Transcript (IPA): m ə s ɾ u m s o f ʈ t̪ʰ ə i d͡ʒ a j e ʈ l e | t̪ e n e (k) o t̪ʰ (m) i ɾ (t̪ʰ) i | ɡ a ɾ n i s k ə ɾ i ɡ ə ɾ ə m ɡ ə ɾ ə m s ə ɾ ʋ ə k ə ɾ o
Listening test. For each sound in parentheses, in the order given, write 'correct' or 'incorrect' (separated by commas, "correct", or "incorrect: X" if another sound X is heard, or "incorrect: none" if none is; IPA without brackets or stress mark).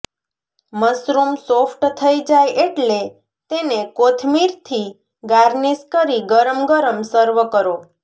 correct, correct, correct